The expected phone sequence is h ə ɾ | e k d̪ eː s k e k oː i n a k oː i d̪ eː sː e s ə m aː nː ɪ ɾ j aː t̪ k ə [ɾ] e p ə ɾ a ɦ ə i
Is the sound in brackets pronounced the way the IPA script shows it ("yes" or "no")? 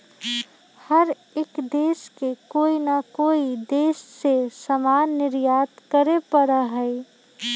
yes